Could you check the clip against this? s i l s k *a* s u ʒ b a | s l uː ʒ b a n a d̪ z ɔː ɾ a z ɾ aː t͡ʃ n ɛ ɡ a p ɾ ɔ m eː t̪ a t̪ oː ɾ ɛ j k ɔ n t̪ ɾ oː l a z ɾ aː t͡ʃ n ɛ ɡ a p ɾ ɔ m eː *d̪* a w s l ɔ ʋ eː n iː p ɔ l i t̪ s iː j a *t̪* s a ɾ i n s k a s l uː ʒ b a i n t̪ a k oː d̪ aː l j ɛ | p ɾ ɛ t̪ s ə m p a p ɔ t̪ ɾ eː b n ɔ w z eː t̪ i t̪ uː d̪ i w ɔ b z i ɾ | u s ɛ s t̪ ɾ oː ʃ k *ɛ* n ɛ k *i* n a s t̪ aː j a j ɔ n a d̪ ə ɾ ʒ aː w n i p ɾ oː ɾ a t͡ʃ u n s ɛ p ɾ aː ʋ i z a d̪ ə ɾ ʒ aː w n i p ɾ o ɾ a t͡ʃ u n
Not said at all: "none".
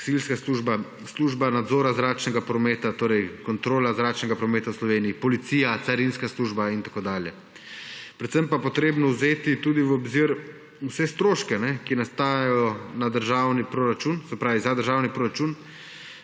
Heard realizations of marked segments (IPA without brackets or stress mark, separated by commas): a, t̪, t̪, ɛ, i